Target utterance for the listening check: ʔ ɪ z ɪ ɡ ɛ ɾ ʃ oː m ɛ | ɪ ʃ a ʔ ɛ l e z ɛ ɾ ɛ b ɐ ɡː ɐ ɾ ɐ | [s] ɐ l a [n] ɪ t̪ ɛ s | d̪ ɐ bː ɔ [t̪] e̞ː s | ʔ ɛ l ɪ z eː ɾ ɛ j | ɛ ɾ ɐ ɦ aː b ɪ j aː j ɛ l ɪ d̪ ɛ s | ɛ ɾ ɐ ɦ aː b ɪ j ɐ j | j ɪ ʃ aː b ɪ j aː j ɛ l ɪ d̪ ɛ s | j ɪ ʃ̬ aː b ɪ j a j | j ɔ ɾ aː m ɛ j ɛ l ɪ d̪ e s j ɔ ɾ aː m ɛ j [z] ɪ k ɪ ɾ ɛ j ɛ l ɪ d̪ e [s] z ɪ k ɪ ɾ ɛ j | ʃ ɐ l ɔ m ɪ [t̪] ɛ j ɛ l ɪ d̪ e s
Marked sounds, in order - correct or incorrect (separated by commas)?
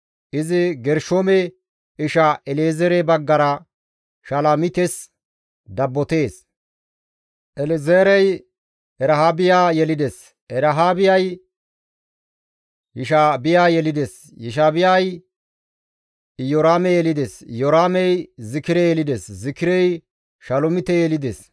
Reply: incorrect, incorrect, correct, correct, correct, correct